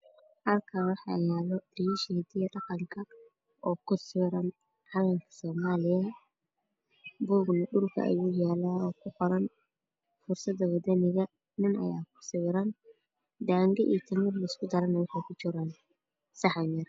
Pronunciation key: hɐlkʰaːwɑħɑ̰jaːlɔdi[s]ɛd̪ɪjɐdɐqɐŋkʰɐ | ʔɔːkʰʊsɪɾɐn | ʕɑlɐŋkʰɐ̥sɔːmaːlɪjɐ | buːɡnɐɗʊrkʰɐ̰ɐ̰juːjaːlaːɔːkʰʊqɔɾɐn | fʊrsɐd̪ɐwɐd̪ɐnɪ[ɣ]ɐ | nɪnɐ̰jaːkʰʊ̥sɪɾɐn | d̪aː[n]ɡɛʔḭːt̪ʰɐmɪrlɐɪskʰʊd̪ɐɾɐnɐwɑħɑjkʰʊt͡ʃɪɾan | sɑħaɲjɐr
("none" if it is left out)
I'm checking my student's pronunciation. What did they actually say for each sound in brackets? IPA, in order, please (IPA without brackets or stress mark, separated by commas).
ʃ, ɣ, ŋ